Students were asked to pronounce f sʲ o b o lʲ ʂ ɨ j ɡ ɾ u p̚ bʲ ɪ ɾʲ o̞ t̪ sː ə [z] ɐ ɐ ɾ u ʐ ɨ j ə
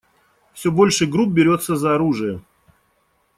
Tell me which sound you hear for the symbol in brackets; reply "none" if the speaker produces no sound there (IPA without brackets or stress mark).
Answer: z